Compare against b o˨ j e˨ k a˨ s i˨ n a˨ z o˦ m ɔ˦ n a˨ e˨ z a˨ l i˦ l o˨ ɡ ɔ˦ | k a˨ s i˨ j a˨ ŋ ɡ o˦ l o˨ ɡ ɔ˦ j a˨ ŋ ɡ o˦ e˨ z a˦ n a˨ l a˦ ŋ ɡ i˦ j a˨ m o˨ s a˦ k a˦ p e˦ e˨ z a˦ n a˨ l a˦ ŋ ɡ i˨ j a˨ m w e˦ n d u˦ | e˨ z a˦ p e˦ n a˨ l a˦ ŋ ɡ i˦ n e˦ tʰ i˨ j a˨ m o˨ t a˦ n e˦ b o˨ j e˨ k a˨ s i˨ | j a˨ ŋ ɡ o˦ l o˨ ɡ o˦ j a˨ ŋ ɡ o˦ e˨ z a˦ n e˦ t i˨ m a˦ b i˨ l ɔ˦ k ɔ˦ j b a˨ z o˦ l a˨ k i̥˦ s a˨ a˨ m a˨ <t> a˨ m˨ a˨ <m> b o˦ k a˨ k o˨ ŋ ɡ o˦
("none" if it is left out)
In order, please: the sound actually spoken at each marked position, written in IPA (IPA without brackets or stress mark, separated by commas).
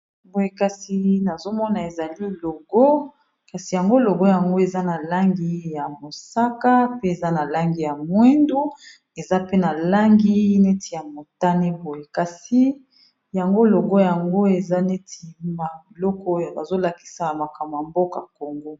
k, m